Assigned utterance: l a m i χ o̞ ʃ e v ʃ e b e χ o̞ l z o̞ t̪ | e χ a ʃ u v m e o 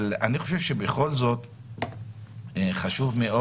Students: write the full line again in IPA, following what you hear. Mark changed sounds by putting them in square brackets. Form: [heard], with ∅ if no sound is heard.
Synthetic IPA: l a [n] i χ o̞ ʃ e v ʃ e b e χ o̞ l z o̞ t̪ | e χ a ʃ u v m e o